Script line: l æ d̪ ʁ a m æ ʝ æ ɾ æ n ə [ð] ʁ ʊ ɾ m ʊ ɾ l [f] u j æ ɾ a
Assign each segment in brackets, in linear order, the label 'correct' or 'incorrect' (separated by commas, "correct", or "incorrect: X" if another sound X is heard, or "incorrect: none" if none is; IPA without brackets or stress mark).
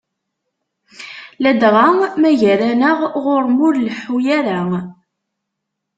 incorrect: ʁ, incorrect: ħ